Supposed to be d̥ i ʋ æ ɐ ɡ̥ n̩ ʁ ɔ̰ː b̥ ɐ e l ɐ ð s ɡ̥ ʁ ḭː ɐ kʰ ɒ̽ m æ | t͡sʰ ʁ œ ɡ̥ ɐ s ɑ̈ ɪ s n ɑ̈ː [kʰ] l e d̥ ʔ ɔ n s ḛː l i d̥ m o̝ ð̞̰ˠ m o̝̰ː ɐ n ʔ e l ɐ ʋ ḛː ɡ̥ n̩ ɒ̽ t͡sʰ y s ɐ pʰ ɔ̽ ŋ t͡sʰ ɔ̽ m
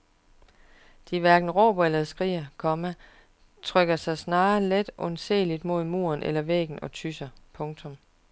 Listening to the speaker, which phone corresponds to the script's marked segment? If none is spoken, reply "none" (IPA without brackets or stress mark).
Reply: none